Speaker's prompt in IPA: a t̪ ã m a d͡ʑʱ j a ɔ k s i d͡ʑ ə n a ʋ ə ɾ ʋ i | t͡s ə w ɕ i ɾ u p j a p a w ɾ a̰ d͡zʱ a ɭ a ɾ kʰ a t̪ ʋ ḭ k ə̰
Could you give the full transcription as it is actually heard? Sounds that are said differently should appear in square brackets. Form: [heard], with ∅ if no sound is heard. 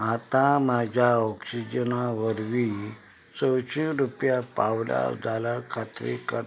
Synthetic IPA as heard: a t̪ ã m a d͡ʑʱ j a ɔ k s i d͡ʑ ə n a ʋ ə ɾ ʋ i | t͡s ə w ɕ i ɾ u p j a p a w [l] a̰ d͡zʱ a [l] a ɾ kʰ a t̪ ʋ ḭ k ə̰